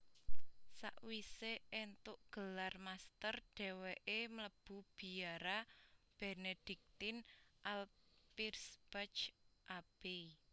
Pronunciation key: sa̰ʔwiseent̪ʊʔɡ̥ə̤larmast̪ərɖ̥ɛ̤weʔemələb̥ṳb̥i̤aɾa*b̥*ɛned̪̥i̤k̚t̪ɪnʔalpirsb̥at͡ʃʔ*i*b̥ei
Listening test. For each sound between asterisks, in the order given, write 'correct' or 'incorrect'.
correct, incorrect: a

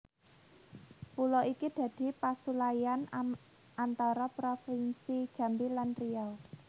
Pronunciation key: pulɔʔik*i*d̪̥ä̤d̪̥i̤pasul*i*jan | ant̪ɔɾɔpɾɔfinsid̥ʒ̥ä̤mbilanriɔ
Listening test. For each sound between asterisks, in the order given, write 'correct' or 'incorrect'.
correct, incorrect: a

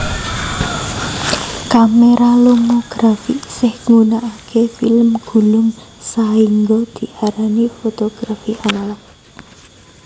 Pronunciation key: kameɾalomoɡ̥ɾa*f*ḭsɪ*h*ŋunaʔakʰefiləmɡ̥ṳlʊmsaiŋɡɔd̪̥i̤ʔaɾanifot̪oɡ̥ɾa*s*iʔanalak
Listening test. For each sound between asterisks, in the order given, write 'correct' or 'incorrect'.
correct, correct, incorrect: f

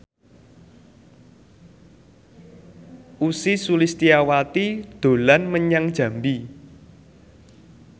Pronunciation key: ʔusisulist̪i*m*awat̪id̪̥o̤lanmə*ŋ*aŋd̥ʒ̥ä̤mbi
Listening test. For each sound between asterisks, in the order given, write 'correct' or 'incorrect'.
incorrect: none, incorrect: ɲ

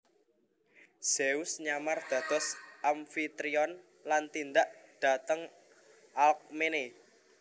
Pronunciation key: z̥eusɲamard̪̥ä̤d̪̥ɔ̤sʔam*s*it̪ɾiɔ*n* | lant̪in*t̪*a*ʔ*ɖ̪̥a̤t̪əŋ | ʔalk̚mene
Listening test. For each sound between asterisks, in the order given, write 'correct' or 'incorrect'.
incorrect: f, correct, incorrect: d̪, correct

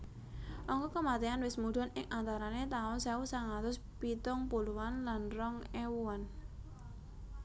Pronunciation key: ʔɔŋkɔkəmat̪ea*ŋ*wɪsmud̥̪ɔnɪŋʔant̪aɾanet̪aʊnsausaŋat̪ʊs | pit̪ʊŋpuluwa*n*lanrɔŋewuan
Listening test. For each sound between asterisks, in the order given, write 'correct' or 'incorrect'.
incorrect: n, correct

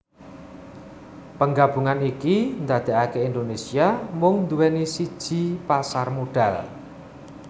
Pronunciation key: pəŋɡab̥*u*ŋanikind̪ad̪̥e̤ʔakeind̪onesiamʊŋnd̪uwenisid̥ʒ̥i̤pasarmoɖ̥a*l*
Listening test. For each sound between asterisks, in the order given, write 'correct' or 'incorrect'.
correct, correct

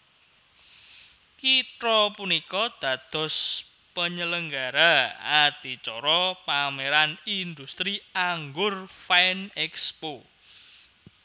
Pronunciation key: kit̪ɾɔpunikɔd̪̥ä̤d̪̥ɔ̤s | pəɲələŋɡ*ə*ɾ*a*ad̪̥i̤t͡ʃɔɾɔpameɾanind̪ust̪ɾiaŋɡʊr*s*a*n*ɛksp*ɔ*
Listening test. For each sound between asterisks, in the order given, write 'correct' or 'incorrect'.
incorrect: a, correct, incorrect: f, correct, incorrect: o

